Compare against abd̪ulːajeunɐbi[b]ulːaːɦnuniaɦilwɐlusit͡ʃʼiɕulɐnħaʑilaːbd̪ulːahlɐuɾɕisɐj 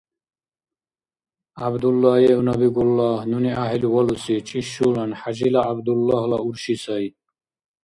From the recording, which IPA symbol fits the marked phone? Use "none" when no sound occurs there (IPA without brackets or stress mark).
ɡ